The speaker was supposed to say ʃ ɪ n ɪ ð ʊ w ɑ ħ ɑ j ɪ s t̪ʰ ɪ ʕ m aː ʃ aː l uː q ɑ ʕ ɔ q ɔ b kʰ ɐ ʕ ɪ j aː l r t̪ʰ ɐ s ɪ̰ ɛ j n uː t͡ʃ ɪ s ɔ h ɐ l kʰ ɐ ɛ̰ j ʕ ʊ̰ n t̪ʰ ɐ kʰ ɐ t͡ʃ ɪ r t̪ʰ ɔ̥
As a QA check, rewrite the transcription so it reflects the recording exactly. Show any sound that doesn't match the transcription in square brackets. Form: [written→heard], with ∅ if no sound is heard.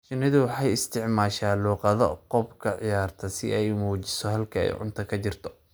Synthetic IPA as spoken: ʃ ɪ n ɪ ð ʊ w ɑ ħ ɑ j ɪ s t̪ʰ ɪ ʕ m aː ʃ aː l uː q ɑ [ʕ→ð] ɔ q ɔ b kʰ ɐ ʕ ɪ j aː [l→∅] r t̪ʰ ɐ s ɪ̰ ɛ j [n→m] uː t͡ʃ ɪ s ɔ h ɐ l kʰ ɐ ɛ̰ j ʕ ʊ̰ n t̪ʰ ɐ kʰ ɐ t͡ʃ ɪ r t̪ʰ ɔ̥